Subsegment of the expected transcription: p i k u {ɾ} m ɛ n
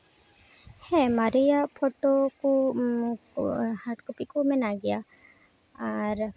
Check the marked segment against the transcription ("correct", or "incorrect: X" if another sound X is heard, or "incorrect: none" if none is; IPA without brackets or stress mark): incorrect: none